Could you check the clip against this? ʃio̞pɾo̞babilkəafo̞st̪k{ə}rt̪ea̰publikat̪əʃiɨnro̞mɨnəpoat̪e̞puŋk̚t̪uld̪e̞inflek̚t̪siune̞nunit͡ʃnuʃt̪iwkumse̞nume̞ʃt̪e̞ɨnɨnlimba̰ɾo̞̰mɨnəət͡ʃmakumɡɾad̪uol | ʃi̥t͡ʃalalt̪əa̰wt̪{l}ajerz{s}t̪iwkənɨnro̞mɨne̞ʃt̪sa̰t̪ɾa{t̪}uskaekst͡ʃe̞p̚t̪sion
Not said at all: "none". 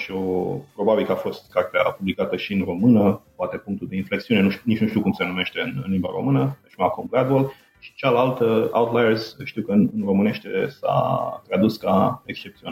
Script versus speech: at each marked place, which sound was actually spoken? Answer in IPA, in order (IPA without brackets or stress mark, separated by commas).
a, l, ʃ, d̪